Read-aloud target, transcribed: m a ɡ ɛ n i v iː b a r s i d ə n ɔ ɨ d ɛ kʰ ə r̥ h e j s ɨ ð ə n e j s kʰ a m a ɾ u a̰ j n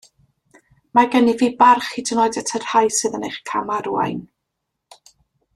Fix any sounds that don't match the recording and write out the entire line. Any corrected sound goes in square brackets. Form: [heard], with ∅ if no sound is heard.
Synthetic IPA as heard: m a ɡ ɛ n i v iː b a r [χ] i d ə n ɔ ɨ d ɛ [tʰ] ə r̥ h [a] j s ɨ ð ə n e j [χ] kʰ a m a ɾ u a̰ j n